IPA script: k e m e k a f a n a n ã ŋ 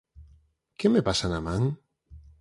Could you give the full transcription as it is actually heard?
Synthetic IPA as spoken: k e m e p a s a n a m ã ŋ